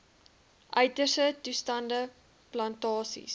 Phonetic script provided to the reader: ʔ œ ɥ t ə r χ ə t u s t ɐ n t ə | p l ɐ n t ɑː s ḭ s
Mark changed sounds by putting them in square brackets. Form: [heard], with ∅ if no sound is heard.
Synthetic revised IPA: ʔ œ ɥ t ə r [s] ə t u s t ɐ n [d] ə | p l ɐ n t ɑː s ḭ s